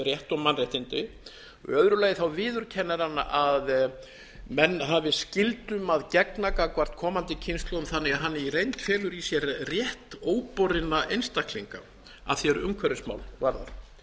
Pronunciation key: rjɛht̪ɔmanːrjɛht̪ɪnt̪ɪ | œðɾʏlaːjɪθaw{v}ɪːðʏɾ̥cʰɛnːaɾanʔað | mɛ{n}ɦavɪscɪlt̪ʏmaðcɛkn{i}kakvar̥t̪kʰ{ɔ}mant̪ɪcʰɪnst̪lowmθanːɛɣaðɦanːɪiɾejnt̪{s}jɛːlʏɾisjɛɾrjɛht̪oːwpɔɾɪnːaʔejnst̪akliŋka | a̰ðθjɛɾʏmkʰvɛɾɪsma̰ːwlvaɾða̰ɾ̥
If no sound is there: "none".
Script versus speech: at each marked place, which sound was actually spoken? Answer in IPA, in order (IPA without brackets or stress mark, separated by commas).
v, nː, a, ɔː, f